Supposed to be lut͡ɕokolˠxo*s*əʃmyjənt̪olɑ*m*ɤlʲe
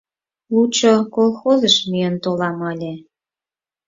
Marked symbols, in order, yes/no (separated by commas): no, yes